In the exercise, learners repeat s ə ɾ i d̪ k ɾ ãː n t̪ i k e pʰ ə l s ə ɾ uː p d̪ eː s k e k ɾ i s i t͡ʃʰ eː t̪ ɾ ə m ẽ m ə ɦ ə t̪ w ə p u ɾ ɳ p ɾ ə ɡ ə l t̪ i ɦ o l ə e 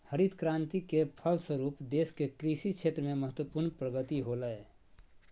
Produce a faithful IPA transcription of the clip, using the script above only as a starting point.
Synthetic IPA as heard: h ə ɾ i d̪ k ɾ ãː n t̪ i k e pʰ ə l s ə ɾ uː p d̪ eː s k e k ɾ i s i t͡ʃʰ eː t̪ ɾ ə m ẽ m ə ɦ ə t̪ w ə p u ɾ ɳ p ɾ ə ɡ ə t̪ i ɦ o l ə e